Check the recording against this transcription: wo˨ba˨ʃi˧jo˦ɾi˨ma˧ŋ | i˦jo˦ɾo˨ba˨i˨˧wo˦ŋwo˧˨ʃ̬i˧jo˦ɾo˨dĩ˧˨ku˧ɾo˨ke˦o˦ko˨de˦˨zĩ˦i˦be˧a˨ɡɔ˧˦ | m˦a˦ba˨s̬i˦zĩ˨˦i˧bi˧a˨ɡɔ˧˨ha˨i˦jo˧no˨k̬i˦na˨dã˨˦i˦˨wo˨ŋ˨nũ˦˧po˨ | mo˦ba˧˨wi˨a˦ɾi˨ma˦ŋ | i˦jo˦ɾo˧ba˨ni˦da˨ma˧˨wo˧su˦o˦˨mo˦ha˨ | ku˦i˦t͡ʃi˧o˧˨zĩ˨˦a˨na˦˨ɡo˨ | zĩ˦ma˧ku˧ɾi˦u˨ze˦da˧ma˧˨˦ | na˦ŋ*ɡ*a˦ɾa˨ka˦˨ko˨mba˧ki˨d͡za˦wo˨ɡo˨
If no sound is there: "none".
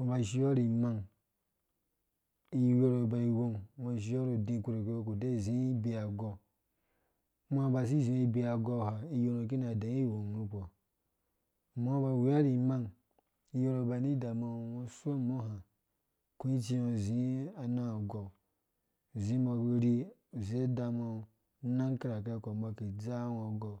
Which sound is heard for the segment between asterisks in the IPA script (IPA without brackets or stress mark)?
k